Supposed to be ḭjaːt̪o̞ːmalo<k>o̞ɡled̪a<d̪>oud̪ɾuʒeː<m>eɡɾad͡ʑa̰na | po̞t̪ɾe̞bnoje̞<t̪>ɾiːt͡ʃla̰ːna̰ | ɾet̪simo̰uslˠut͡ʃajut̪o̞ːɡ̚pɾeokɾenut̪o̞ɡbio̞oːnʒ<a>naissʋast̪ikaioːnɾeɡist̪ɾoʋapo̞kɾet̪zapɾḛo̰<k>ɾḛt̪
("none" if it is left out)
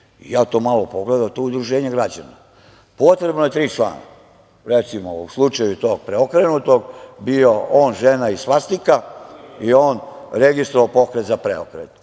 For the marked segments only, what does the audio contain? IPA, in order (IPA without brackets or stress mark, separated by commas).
p, t̪, ɲ, t̪, e, k